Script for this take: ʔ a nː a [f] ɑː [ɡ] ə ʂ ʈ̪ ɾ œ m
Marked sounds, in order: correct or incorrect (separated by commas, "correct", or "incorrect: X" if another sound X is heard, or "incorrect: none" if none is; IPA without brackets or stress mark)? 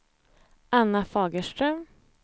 correct, correct